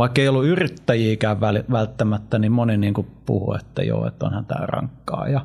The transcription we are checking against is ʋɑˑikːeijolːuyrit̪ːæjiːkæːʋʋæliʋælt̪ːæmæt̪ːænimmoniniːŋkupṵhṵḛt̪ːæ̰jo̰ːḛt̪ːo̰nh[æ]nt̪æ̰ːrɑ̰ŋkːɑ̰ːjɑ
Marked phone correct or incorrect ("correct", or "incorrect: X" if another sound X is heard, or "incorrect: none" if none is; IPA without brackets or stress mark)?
correct